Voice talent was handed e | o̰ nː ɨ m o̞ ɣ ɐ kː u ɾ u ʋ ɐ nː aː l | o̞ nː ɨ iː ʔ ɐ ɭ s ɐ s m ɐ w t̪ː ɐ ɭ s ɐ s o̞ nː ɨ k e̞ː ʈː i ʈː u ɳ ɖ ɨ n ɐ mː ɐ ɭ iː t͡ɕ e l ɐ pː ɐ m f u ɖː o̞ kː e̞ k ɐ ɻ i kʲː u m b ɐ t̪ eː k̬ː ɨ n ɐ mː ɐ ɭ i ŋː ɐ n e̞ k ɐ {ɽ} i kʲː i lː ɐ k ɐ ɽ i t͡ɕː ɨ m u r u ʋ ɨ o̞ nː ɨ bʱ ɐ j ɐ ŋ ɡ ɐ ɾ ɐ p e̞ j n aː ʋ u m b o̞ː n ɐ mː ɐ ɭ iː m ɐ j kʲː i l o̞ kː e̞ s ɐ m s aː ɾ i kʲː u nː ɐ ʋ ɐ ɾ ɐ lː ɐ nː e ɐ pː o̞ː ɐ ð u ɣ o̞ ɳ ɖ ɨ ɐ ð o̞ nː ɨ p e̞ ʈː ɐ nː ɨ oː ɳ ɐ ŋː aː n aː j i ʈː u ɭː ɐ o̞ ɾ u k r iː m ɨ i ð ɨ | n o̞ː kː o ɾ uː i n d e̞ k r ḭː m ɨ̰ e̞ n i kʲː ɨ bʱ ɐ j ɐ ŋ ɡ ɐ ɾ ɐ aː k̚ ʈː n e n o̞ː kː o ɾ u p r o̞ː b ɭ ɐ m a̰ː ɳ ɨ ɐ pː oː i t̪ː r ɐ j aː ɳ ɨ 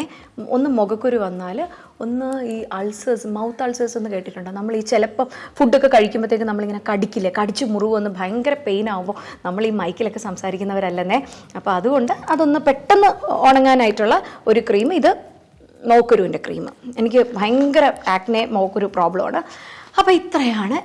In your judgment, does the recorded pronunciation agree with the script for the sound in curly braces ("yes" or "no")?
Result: yes